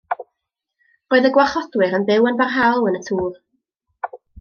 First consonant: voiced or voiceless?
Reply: voiced